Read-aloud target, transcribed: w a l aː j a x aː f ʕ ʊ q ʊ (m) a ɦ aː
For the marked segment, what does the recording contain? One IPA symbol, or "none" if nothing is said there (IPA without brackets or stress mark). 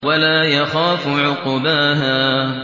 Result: b